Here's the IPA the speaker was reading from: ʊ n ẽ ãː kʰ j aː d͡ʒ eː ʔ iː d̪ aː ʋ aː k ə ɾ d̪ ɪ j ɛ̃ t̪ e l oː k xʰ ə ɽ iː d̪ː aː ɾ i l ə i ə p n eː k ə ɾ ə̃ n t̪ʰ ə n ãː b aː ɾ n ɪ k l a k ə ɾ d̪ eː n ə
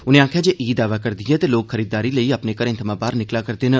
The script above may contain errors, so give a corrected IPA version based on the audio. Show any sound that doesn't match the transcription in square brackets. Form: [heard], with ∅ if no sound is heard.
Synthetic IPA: ʊ n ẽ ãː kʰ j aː d͡ʒ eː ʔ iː d̪ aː ʋ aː k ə ɾ d̪ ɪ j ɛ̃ t̪ e l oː k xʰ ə [ɾ] iː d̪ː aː ɾ i l ə i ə p n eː k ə ɾ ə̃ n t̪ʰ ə [m] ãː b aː ɾ n ɪ k l a k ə ɾ d̪ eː n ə

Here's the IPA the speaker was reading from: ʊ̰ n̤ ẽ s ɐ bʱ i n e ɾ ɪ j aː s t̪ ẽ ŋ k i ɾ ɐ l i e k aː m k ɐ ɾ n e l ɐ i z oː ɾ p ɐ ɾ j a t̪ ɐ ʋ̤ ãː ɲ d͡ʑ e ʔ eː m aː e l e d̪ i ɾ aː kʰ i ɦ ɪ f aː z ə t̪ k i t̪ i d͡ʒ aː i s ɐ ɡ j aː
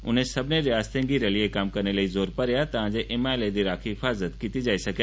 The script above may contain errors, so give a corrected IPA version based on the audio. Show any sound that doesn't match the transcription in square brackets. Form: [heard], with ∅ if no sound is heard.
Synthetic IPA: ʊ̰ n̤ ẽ s ɐ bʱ [ɪ] n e ɾ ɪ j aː s t̪ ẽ ŋ [ɡ] i ɾ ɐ l i e k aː m k ɐ ɾ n e l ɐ i z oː ɾ p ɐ ɾ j a t̪ ɐ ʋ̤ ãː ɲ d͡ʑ e ʔ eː m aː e l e d̪ i ɾ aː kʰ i ɦ ɪ f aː z ə t̪ k i t̪ i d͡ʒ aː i s ɐ ɡ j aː

